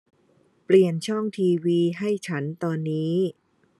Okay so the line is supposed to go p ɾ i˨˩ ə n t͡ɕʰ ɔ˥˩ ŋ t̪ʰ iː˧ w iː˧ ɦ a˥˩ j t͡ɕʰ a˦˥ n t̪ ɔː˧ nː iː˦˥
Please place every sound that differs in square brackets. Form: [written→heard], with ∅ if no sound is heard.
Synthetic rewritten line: p [ɾ→l] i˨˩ ə n t͡ɕʰ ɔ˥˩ ŋ t̪ʰ iː˧ w iː˧ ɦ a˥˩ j t͡ɕʰ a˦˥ n t̪ ɔː˧ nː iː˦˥